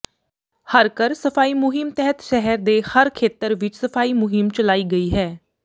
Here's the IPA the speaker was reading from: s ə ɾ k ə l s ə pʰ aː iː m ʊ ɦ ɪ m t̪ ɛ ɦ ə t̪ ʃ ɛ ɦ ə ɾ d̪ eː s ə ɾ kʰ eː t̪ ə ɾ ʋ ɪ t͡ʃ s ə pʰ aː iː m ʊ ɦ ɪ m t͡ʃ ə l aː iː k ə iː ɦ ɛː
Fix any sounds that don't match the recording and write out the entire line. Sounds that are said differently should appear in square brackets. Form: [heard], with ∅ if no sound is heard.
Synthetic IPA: [h] ə ɾ k ə [ɾ] s ə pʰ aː iː m ʊ ɦ ɪ m t̪ ɛ ɦ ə t̪ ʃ ɛ ɦ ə ɾ d̪ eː [h] ə ɾ kʰ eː t̪ ə ɾ ʋ ɪ t͡ʃ s ə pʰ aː iː m ʊ ɦ ɪ m t͡ʃ ə l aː iː [ɡ] ə iː ɦ ɛː